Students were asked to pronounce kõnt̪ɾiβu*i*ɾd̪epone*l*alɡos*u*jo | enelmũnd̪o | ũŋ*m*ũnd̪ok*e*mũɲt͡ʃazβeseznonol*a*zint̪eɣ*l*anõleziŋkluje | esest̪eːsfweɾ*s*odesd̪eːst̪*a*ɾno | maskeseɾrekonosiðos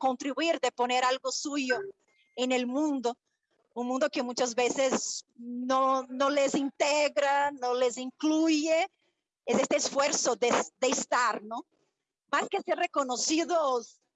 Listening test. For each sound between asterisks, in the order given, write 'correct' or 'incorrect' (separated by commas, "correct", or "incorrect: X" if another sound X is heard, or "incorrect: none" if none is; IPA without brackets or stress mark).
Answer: correct, incorrect: ɾ, correct, correct, correct, incorrect: e, incorrect: ɾ, correct, correct